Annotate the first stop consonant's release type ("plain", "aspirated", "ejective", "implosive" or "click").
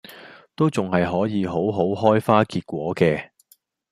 plain